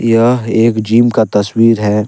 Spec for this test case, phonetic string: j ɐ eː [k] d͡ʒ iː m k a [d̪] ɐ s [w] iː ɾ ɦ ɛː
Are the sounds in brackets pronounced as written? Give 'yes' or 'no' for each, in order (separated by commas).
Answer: yes, no, yes